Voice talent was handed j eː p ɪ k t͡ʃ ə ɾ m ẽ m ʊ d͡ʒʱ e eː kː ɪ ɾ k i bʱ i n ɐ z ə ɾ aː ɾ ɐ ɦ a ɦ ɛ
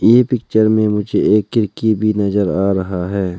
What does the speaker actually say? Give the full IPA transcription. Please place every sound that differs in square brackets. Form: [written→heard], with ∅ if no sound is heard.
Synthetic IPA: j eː p ɪ k t͡ʃ ə ɾ m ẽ m ʊ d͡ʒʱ e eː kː ɪ ɾ k i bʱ i n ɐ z ə ɾ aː ɾ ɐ ɦ a ɦ [ɛ→ɛː]